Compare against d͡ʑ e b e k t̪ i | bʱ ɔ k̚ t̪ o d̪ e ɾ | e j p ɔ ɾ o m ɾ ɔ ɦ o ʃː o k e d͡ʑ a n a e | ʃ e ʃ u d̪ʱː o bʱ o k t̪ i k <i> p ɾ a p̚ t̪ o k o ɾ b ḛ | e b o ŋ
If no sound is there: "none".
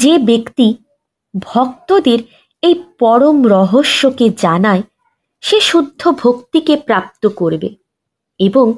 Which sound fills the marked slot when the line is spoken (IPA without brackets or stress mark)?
e